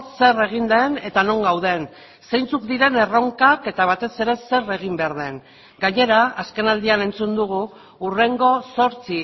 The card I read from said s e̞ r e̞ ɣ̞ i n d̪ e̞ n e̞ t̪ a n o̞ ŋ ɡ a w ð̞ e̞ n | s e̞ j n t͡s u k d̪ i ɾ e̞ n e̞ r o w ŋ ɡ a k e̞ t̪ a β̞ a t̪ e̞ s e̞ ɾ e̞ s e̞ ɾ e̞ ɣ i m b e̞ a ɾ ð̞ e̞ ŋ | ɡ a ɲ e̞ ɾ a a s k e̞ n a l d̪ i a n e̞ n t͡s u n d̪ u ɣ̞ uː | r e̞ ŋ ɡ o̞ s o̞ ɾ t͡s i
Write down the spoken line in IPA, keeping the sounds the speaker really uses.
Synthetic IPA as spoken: s e̞ r e̞ ɣ̞ i n d̪ e̞ n e̞ t̪ a n o̞ ŋ ɡ a w ð̞ e̞ n | s e̞ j n t͡s u k d̪ i ɾ e̞ n e̞ r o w ŋ k a k e̞ t̪ a β̞ a t̪ e̞ s e̞ ɾ e̞ s e̞ r e̞ ɣ i m b e̞ a ɾ ð̞ e̞ ŋ | ɡ a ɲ e̞ ɾ a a s k e̞ n a l d̪ i a n e̞ n t͡s u n d̪ u ɣ̞ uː | r e̞ ŋ ɡ o̞ s o̞ ɾ t͡s i